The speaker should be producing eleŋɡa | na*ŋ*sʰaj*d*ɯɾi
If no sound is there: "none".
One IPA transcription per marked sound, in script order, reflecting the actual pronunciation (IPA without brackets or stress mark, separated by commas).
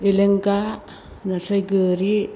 none, ɡ